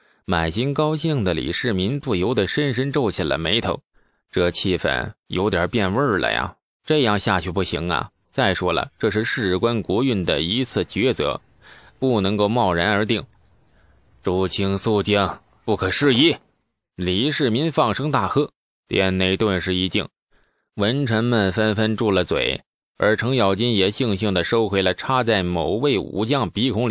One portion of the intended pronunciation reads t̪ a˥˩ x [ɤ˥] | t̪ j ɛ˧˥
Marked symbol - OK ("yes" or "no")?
yes